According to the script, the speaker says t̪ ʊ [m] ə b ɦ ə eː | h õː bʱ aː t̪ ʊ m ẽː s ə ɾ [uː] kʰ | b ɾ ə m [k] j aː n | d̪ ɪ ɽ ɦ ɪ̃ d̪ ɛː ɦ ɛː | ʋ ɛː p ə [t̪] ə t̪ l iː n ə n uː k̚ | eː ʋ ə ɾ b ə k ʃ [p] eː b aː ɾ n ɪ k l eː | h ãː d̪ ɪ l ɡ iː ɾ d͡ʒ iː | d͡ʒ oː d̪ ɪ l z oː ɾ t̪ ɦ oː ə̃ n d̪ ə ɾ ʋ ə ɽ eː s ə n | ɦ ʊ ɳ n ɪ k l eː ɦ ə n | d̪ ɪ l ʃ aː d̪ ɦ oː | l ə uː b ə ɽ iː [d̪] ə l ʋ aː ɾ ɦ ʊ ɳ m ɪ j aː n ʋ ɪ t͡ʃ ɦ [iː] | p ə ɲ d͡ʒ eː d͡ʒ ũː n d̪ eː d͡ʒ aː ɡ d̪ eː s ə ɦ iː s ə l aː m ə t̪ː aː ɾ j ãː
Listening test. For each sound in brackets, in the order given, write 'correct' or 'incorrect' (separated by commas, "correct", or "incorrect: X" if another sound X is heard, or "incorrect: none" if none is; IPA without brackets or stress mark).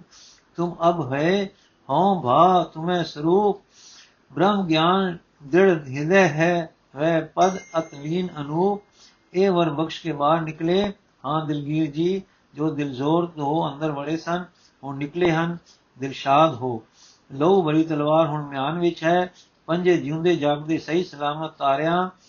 correct, correct, incorrect: ɡ, incorrect: d̪, incorrect: k, incorrect: t̪, incorrect: ɛː